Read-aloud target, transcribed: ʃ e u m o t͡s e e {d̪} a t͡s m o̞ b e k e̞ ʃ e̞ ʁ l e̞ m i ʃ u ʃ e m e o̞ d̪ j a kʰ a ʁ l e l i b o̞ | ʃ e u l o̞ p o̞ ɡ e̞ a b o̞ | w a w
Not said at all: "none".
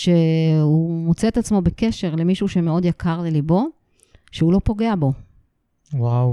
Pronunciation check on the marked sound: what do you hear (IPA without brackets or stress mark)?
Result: t̪